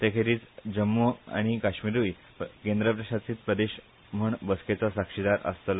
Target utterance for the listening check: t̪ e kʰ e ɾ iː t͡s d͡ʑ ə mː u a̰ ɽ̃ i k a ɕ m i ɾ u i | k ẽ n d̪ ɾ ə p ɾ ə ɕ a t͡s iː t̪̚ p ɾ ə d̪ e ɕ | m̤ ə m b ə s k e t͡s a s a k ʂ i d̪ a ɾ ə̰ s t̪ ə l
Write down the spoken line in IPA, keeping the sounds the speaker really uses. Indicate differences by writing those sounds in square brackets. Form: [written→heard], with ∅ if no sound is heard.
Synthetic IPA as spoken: t̪ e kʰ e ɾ iː t͡s d͡ʑ ə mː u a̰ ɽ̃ i k a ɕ m i ɾ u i | k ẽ n d̪ ɾ ə p ɾ ə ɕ a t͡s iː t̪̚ p ɾ ə d̪ e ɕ | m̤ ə [m→ɳ] b ə s k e t͡s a s a k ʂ i d̪ a ɾ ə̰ s t̪ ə l

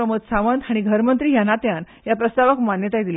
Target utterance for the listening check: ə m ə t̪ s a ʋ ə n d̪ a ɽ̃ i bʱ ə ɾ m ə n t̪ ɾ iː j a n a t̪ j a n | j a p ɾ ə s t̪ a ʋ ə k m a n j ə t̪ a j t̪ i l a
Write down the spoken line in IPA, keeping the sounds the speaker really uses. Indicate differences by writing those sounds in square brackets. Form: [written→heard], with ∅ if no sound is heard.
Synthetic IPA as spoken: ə m ə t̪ s a ʋ ə n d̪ a ɽ̃ i [bʱ→ɡʱ] ə ɾ m ə n t̪ ɾ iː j a n a t̪ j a n | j a p ɾ ə s t̪ a ʋ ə k m a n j ə t̪ a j [t̪→d̪] i l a

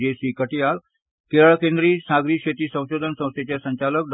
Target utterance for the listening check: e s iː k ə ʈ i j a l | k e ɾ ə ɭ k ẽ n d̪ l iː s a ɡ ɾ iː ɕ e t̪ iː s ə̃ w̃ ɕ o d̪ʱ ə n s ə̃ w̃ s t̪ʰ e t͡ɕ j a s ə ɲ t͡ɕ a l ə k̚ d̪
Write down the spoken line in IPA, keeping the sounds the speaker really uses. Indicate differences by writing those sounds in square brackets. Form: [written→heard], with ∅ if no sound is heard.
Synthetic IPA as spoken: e s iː k ə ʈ i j a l | k e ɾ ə ɭ k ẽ n d̪ [l→ɾ] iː s a ɡ ɾ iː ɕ e t̪ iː s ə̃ w̃ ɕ o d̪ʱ ə n s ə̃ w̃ s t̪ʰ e t͡ɕ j a s ə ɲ t͡ɕ a l ə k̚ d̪

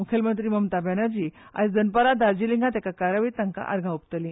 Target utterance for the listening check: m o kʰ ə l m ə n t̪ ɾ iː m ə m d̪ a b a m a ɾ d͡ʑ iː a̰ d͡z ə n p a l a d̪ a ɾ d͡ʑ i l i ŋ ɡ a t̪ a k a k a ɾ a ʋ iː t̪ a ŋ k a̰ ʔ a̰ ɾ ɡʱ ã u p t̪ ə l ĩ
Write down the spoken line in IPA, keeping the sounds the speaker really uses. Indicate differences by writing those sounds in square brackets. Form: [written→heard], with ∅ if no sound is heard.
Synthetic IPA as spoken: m [o→u] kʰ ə l m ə n t̪ ɾ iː m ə m [d̪→t̪] a b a [m→n] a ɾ d͡ʑ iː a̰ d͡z ə n p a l a d̪ a ɾ d͡ʑ i l i ŋ ɡ a t̪ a k a k a ɾ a ʋ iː t̪ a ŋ k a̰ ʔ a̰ ɾ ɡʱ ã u p t̪ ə l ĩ

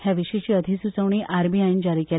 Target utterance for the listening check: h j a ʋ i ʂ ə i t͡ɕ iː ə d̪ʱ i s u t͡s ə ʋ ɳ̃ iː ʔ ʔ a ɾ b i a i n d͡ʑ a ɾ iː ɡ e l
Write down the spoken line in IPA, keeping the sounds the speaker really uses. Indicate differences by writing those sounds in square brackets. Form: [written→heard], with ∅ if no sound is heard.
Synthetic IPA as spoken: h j a ʋ i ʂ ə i t͡ɕ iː ə d̪ʱ i s u t͡s ə ʋ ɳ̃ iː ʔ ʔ a ɾ b i a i n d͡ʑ a ɾ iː [ɡ→k] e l

